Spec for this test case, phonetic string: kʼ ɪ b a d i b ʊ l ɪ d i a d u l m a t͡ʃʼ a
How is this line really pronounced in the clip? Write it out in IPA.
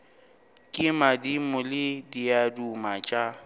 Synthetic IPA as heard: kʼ ɪ m a d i m ʊ l ɪ d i a d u m a t͡ʃʼ a